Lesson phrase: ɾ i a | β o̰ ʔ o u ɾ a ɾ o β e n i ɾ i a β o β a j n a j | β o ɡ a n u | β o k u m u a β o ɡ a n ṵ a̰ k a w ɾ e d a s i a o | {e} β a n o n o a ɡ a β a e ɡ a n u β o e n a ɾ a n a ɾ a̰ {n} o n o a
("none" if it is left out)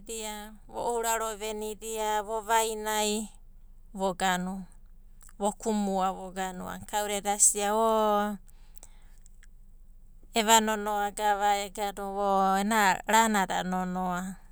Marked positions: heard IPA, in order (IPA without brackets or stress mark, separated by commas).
e, n